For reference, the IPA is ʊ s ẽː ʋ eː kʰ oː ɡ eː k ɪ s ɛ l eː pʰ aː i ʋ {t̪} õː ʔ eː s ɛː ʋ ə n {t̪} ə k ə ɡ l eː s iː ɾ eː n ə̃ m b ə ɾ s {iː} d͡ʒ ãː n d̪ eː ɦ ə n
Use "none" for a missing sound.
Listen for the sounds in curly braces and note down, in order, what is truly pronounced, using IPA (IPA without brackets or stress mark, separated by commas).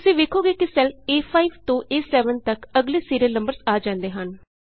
t̪, t̪, aː